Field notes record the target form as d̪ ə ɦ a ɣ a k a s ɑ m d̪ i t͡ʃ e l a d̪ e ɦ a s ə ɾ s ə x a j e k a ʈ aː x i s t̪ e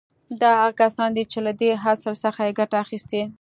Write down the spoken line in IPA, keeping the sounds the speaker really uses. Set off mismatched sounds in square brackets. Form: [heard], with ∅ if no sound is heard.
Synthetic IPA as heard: d̪ [ɑ] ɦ a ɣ a k a s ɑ [n] d̪ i t͡ʃ e l a d̪ e ɦ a s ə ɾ s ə x a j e [ɡ] a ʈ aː x i s t̪ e